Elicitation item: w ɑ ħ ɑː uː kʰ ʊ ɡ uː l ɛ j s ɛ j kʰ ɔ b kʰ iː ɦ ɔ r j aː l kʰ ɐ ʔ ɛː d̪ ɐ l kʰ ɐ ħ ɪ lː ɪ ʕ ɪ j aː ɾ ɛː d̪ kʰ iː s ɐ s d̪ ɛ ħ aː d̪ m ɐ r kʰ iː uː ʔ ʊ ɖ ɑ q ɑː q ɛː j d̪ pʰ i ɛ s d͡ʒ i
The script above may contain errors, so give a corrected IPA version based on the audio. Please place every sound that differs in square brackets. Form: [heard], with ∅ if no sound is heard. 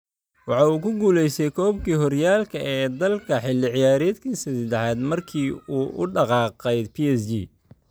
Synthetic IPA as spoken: w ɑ ħ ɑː uː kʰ ʊ ɡ uː l ɛ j s ɛ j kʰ [ɔː] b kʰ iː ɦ ɔ r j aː l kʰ ɐ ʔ ɛː d̪ ɐ l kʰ ɐ ħ ɪ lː ɪ ʕ ɪ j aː ɾ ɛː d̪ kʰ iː s ɐ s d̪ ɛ ħ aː d̪ m ɐ r kʰ iː uː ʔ ʊ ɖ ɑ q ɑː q [ɛ] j d̪ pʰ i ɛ s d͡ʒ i